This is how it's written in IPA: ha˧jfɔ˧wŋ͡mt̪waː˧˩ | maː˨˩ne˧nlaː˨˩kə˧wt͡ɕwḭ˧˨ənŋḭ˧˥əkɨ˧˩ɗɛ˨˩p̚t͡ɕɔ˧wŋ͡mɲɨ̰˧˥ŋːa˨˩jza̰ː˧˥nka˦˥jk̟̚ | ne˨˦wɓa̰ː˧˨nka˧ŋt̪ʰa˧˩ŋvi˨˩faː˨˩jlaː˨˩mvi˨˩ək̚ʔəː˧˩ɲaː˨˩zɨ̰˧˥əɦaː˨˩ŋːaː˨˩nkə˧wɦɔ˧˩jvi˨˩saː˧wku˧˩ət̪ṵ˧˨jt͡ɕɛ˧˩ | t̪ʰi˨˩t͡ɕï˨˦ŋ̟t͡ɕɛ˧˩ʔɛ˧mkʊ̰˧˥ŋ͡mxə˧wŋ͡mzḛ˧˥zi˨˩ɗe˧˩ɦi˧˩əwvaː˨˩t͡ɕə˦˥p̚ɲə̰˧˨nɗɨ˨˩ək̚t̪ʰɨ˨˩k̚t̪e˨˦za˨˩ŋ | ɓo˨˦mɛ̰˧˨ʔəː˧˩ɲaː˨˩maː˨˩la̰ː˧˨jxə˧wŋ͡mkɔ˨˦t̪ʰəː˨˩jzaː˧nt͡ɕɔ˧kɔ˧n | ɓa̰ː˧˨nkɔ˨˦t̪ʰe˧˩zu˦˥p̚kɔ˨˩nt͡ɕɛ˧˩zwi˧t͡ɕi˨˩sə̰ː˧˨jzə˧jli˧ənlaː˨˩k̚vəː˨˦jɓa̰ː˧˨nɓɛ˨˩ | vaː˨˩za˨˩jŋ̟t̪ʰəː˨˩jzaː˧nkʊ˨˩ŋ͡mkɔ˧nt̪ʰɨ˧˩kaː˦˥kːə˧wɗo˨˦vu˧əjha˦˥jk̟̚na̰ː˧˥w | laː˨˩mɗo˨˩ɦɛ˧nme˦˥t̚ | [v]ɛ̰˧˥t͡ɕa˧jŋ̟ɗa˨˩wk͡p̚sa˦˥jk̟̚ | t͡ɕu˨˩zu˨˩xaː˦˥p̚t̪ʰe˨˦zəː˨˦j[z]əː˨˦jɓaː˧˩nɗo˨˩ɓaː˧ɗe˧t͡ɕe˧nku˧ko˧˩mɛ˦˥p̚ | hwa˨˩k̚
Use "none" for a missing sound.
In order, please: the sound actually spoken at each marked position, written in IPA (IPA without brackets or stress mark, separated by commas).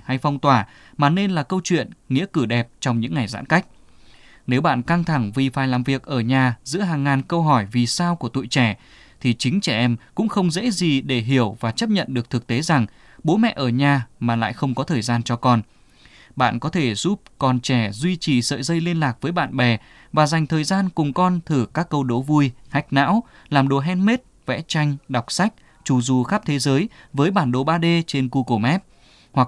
v, v